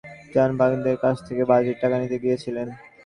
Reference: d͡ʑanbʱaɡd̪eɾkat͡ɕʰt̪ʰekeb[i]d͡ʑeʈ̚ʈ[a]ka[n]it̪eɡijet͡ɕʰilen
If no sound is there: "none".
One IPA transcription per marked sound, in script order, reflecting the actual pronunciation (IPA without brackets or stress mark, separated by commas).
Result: a, a, n